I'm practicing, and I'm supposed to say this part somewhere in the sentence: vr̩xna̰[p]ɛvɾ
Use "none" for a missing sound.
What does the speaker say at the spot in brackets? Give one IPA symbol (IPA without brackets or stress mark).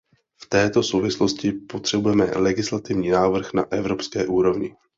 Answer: ʔ